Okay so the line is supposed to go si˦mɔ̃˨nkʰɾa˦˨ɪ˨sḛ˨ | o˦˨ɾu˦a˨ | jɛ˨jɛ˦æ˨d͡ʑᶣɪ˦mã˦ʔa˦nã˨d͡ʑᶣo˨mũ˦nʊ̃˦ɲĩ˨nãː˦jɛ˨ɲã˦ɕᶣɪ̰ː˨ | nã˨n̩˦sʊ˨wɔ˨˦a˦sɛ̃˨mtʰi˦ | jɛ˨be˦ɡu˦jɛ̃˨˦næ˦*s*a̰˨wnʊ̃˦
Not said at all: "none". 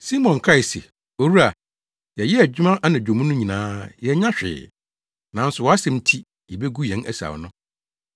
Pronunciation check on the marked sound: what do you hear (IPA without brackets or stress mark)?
s